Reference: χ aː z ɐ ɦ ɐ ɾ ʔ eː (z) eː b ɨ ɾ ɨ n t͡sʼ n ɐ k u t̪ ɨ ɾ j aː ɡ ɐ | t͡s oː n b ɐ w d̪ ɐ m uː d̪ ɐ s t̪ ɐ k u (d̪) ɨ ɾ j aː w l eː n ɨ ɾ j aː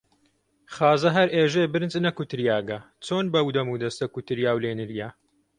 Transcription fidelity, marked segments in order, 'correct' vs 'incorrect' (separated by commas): incorrect, incorrect